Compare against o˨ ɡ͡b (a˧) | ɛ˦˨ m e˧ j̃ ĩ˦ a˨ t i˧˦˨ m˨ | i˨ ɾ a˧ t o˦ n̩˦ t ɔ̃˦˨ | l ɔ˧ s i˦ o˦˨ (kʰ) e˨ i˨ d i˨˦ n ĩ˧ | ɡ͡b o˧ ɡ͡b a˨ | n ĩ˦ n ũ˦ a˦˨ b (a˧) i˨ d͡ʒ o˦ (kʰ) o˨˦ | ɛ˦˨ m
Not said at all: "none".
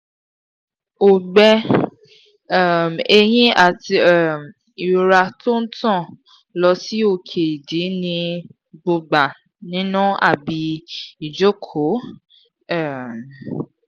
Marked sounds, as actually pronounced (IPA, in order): ɛ˧, kʰ, i˧, kʰ

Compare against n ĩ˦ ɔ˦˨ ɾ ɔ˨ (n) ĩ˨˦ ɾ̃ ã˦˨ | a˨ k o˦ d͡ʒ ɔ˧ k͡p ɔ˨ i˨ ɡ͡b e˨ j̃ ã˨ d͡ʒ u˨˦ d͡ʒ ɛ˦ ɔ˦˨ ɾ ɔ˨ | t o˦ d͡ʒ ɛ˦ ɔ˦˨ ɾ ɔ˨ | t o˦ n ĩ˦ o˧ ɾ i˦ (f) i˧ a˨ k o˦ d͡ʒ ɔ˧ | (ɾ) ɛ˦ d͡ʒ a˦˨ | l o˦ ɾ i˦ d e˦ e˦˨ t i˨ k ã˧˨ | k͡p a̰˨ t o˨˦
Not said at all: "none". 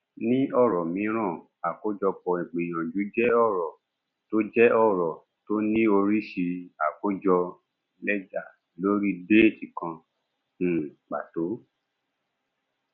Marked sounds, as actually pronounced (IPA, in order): m, ʃ, l

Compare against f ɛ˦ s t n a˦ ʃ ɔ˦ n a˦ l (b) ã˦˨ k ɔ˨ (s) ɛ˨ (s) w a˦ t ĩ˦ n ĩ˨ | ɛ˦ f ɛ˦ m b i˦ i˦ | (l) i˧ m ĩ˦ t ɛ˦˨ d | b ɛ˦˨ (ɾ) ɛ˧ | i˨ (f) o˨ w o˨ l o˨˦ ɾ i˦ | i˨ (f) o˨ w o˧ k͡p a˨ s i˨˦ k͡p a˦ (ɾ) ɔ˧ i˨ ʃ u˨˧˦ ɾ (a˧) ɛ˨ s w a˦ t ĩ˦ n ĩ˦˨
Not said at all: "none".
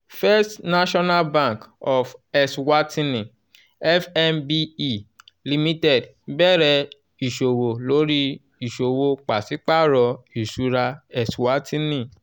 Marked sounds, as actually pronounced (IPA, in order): b, f, s, l, ɾ, ʃ, ʃ, ɾ, a˧

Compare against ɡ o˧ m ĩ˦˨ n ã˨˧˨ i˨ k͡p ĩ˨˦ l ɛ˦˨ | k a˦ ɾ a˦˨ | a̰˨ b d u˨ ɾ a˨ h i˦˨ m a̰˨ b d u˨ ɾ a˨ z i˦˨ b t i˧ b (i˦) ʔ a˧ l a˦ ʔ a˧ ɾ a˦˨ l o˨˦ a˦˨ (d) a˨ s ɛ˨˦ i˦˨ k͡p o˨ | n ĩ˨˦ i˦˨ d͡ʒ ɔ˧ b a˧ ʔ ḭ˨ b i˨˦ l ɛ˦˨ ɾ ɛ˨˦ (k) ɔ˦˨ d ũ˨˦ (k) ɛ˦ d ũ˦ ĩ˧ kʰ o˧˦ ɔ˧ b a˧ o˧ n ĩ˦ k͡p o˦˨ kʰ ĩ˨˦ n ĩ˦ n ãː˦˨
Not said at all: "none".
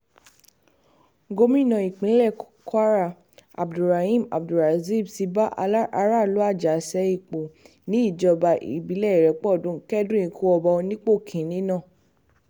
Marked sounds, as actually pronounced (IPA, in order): a˦, d͡ʒ, k͡p, k

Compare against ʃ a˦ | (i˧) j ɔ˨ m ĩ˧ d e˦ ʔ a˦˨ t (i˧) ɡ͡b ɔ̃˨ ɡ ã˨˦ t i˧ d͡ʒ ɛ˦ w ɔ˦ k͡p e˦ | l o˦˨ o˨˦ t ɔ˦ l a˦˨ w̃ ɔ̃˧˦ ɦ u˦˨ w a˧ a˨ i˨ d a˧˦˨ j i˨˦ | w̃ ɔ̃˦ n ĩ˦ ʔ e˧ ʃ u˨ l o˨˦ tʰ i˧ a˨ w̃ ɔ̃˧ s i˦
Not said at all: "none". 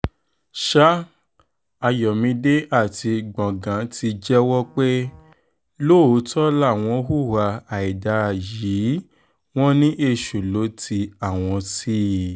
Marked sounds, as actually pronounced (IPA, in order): a˧, i˧

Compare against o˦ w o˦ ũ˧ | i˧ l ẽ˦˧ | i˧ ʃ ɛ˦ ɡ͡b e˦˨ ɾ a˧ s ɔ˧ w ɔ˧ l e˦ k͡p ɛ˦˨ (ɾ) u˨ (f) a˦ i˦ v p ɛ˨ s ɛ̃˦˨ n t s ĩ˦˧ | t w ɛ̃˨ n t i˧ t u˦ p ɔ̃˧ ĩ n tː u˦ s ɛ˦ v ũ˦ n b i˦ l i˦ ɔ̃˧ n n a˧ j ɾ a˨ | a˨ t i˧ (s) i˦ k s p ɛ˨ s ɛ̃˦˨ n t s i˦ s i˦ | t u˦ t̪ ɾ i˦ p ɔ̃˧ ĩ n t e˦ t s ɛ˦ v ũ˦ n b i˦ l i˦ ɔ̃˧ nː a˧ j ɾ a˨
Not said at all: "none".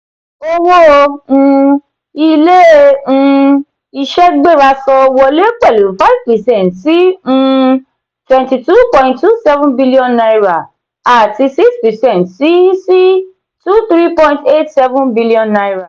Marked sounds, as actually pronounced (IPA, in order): l, f, s

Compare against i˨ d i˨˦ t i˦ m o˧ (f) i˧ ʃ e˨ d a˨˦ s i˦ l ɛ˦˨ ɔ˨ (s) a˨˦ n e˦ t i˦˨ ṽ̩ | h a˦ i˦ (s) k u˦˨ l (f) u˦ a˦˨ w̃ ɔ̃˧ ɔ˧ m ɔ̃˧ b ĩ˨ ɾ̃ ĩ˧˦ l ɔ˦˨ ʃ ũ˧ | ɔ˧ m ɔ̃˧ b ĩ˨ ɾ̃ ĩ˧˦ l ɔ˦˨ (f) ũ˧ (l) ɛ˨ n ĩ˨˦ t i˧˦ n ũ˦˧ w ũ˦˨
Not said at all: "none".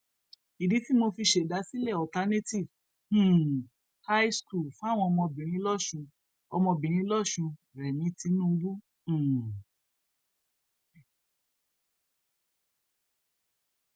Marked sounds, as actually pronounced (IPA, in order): f, t, s, f, ʃ, ɾ

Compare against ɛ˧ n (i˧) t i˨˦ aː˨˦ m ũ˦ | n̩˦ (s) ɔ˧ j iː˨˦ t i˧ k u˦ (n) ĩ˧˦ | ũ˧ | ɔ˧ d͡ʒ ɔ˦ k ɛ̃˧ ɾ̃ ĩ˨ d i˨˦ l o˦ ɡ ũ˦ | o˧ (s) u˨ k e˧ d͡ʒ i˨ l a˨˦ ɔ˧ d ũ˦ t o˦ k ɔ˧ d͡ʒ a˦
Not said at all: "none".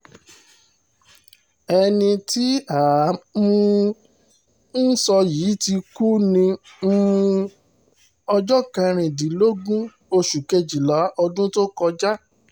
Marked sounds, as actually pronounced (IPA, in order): ĩ˧, s, n, ʃ

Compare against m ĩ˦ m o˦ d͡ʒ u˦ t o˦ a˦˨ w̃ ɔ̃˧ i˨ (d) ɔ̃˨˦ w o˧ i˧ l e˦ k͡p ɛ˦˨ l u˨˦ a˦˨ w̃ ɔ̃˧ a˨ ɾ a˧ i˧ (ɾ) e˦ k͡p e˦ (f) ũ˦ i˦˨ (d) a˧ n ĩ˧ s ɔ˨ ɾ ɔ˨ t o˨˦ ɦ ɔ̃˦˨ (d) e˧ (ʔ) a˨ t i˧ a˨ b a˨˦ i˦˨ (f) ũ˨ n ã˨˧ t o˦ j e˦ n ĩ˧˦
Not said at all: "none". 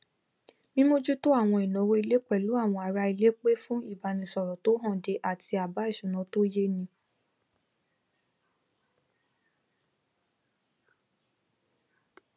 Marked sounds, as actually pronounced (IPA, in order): n, l, f, b, d, ʔ, ʃ

